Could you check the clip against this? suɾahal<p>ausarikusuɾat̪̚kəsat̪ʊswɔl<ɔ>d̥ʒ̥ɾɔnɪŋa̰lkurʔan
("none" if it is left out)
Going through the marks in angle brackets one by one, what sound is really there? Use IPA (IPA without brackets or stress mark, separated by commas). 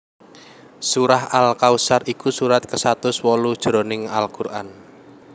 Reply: k, u